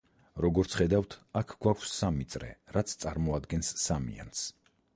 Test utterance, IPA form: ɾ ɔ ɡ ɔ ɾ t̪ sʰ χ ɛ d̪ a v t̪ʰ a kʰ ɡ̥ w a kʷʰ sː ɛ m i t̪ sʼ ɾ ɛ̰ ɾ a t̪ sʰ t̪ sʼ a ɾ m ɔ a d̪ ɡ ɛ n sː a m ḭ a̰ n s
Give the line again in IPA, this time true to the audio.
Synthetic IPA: ɾ ɔ ɡ ɔ ɾ t̪ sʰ χ ɛ d̪ a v t̪ʰ a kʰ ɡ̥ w a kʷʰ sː a m i t̪ sʼ ɾ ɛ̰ ɾ a t̪ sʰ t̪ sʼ a ɾ m ɔ a d̪ ɡ ɛ n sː a m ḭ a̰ n s